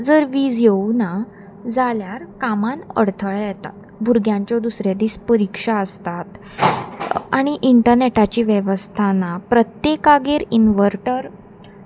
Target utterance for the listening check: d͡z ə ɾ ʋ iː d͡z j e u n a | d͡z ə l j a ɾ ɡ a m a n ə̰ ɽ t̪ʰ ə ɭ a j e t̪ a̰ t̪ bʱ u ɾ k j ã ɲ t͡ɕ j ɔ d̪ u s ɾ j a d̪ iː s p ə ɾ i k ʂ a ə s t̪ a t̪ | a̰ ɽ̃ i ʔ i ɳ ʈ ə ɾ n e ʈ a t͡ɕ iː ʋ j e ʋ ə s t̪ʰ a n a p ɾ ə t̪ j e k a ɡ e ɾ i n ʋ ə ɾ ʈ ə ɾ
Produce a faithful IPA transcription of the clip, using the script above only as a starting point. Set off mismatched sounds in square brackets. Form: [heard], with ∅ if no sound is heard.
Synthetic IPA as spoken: d͡z ə ɾ ʋ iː d͡z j e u n a | d͡z [a] l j a ɾ [k] a m a n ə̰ ɽ t̪ʰ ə ɭ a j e t̪ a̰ t̪ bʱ u ɾ [ɡ] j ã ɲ t͡ɕ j ɔ d̪ u s ɾ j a d̪ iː s p ə ɾ i k ʂ a ə s t̪ a t̪ | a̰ ɽ̃ i ʔ i ɳ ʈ ə ɾ n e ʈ a t͡ɕ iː ʋ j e ʋ ə s t̪ʰ a n a p ɾ ə t̪ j e k a ɡ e ɾ i n ʋ ə ɾ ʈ ə ɾ